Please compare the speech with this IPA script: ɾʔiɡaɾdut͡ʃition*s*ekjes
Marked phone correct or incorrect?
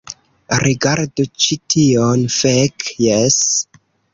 incorrect